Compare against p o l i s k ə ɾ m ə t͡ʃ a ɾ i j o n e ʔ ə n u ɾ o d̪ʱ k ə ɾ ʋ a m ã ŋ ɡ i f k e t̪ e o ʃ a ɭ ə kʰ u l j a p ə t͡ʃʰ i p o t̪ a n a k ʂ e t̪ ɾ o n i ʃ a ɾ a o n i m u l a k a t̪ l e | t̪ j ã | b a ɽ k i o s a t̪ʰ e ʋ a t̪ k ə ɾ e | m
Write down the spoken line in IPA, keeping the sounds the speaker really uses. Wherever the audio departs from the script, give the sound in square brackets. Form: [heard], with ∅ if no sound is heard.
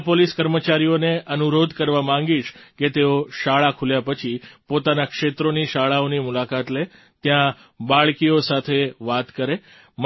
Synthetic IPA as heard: p o l i s k ə ɾ m ə t͡ʃ a ɾ i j o n e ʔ ə n u ɾ o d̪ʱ k ə ɾ ʋ a m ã ŋ ɡ i [ʃ] k e t̪ e o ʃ a ɭ [a] kʰ u l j a p ə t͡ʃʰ i p o t̪ a n a k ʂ e t̪ ɾ o n i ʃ a [ɭ] a o n i m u l a k a t̪ l e | t̪ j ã | b a [ɭ] k i o s a t̪ʰ e ʋ a t̪ k ə ɾ e | m